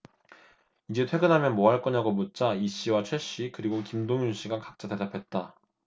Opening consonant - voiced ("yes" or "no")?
yes